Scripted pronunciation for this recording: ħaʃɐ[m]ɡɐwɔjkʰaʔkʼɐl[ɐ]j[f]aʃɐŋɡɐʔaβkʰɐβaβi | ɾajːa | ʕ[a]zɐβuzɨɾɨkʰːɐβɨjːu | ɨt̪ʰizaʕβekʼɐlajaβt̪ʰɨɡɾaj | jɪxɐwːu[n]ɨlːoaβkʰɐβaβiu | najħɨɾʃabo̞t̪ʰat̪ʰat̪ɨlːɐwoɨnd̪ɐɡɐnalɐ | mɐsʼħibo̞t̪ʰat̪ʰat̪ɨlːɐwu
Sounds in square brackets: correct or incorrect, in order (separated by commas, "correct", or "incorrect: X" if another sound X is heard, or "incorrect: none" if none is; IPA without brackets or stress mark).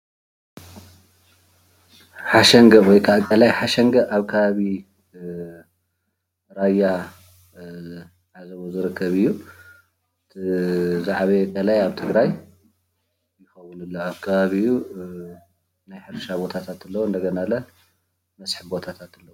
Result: incorrect: ŋ, incorrect: a, incorrect: ħ, correct, correct